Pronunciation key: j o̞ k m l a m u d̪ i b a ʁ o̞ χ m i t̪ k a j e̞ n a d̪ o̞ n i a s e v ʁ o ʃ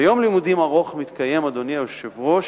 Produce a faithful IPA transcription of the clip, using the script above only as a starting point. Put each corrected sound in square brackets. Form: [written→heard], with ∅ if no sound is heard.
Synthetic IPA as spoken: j o̞ [k→∅] m l [a→i] m u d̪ i [b→m] a ʁ o̞ χ m i t̪ k a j e̞ [n→m] a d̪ o̞ n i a [s→ʃ] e v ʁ o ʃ